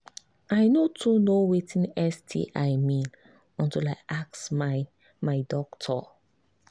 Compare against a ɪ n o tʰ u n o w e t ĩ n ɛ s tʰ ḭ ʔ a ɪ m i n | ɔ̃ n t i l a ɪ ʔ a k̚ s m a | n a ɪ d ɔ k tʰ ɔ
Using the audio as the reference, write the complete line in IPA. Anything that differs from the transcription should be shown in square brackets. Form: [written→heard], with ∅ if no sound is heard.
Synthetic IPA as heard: a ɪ n o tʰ u n o w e t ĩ n ɛ s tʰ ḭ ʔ a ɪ m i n | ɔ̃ n t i l a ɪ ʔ a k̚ s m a | [n→m] a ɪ d ɔ k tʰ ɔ